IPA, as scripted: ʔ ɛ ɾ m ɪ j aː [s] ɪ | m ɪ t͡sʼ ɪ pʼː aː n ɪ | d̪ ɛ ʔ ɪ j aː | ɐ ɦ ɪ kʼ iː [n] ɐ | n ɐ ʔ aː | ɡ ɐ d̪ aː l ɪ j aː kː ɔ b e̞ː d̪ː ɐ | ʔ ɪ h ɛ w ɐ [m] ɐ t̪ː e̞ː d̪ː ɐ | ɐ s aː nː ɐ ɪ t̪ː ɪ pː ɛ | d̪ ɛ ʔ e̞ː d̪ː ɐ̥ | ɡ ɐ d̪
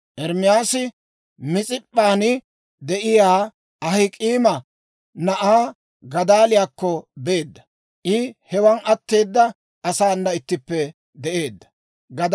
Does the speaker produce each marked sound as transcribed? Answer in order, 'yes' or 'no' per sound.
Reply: yes, no, no

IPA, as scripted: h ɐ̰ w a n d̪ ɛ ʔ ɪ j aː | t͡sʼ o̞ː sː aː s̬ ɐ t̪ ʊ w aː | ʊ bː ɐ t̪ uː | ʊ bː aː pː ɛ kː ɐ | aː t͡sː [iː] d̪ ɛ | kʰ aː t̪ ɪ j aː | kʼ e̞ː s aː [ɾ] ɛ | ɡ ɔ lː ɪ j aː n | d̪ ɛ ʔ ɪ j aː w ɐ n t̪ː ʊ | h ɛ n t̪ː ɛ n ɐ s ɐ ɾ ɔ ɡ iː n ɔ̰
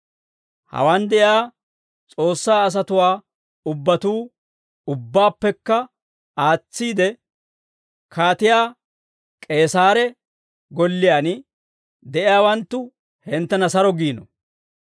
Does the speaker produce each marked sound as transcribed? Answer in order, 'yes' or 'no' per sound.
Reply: yes, yes

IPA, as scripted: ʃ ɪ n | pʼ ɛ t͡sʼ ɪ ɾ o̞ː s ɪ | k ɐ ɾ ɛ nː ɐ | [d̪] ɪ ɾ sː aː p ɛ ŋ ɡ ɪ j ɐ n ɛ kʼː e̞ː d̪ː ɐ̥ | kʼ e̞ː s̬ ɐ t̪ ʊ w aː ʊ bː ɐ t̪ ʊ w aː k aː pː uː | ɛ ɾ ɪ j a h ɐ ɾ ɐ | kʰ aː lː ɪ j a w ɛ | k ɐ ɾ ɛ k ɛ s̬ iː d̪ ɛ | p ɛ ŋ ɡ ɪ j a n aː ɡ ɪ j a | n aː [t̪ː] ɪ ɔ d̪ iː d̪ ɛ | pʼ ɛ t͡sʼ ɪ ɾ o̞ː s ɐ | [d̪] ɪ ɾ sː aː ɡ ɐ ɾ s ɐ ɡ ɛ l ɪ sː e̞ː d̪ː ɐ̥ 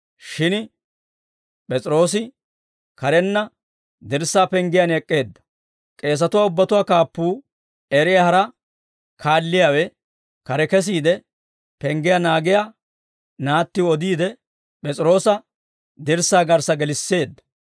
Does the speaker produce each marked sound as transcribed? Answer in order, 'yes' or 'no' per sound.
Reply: yes, yes, yes

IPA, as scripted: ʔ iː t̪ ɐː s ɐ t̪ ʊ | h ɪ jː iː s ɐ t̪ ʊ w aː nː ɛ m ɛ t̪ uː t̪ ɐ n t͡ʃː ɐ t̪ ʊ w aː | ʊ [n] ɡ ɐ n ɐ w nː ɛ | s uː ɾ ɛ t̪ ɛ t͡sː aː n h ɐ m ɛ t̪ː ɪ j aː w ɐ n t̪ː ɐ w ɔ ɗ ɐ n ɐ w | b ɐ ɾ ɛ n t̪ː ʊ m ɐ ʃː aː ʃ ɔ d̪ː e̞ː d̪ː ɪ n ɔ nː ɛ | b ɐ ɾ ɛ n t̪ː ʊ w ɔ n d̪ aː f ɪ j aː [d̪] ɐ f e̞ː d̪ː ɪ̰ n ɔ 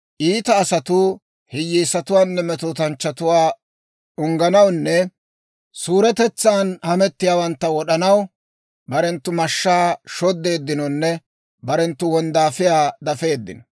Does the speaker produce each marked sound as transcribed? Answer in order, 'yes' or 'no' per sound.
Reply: no, yes

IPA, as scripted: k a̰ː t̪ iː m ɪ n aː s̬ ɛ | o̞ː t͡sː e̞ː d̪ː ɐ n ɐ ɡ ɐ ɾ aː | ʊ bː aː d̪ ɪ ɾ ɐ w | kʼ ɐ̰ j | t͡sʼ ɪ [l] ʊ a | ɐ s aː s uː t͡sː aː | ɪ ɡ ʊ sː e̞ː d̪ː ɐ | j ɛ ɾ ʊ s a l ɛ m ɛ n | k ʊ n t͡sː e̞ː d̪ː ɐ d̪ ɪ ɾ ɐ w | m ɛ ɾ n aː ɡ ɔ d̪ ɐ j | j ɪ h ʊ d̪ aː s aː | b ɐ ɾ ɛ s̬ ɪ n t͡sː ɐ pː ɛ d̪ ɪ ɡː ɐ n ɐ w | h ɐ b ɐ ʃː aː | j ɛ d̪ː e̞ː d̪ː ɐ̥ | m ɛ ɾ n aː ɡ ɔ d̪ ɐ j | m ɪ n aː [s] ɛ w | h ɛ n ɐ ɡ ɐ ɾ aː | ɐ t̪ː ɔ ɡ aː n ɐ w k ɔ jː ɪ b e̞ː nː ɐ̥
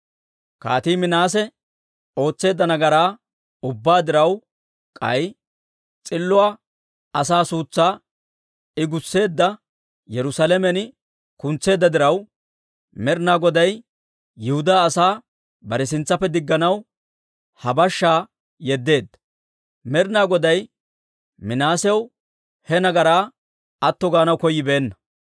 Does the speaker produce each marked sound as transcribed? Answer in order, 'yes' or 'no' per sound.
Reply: no, yes

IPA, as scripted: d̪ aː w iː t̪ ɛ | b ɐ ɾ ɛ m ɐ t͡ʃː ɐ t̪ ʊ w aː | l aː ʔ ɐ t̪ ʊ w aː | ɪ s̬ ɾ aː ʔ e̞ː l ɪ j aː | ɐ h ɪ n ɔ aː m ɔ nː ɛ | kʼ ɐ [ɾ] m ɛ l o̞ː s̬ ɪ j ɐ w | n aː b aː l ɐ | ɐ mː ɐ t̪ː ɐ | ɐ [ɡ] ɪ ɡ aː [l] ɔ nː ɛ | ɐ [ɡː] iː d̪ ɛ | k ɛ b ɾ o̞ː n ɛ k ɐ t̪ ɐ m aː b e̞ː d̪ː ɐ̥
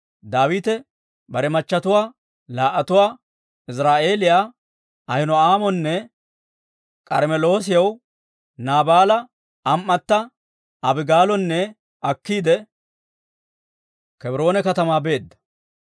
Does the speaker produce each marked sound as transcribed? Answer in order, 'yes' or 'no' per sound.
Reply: yes, no, yes, no

